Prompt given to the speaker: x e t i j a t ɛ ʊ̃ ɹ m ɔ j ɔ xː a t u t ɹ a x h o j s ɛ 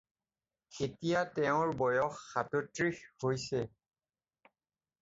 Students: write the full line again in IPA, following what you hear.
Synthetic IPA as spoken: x e t i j a t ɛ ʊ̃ ɹ b ɔ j ɔ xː a t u t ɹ i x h o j s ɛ